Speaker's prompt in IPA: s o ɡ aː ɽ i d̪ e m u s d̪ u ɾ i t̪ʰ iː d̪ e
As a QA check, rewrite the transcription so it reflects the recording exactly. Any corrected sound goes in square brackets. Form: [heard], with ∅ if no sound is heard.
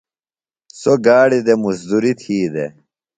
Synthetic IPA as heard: s o ɡ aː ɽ i d̪ e m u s d̪ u ɾ i t̪ʰ iː d̪ e

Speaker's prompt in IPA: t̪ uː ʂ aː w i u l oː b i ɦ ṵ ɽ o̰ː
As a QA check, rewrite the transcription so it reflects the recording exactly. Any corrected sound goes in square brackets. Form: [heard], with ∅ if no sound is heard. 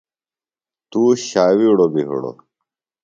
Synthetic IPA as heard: t̪ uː [ɕ] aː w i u [ɽ] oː b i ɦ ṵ ɽ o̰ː

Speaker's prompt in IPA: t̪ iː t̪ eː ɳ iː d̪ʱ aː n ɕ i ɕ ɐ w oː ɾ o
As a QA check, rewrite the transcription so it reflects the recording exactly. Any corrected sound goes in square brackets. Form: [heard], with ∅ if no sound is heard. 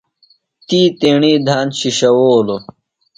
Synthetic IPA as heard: t̪ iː t̪ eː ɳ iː d̪ʱ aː n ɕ i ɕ ɐ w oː [l] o

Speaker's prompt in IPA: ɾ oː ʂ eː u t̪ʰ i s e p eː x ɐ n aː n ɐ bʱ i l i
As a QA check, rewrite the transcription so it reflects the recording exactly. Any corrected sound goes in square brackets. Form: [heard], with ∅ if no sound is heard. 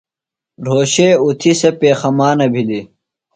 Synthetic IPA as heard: ɾ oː [ɕ] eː u t̪ʰ i s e p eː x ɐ [m] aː n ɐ bʱ i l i

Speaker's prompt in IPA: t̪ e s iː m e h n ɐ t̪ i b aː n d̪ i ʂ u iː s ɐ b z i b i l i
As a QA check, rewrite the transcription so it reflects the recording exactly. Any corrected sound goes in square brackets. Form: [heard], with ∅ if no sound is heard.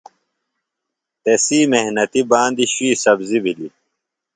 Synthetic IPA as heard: t̪ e s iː m e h n ɐ t̪ i b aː n d̪ i [ɕ] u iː s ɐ b z i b i l i

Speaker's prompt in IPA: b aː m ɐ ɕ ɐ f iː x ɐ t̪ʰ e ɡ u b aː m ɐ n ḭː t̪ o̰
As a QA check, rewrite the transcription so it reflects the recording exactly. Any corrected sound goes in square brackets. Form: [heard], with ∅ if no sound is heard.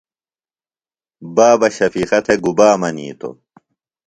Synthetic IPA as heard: b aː [b] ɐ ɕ ɐ f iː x ɐ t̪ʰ e ɡ u b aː m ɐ n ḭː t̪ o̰

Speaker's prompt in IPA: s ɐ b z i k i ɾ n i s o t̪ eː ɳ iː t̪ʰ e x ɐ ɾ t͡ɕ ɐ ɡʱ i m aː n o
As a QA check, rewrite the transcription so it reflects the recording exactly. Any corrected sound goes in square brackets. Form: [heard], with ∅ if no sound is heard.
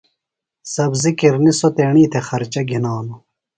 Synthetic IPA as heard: s ɐ b z i k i ɾ n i s o t̪ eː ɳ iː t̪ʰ e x ɐ ɾ t͡ɕ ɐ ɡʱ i [n] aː n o

